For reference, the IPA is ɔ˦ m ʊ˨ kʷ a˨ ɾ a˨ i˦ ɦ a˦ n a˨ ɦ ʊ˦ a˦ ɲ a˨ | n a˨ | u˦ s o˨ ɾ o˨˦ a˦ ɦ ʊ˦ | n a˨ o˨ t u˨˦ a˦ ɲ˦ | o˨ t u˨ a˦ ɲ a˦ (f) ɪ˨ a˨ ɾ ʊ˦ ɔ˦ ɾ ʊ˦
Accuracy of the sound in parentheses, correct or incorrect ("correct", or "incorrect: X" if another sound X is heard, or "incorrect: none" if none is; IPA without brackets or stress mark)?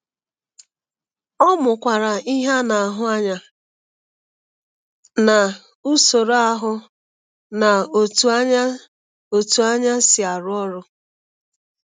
incorrect: s